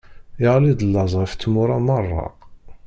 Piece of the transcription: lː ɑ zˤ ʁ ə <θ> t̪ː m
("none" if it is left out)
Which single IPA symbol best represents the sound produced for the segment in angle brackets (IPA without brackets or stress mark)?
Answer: f